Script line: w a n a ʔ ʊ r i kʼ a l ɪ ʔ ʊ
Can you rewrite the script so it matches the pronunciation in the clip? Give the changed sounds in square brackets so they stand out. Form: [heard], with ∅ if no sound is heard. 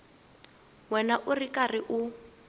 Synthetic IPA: w [ɛ] n a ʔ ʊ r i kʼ a [r] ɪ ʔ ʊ